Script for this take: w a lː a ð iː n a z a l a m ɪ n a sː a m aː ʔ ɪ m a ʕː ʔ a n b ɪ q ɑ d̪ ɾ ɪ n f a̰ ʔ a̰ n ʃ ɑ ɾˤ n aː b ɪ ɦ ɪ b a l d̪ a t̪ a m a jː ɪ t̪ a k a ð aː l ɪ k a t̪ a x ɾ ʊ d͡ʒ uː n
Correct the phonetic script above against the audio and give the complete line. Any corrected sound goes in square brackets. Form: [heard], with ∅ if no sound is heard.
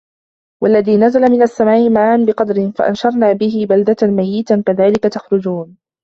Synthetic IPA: w a lː a ð iː n a z a l a m ɪ n a sː a m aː ʔ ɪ m a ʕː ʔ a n b ɪ q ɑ d̪ ɾ ɪ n f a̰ ʔ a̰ n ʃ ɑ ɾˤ n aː b ɪ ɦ ɪ b a l d̪ a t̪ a m a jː ɪ t̪ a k a ð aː l ɪ k a t̪ a x ɾ ʊ d͡ʒ uː n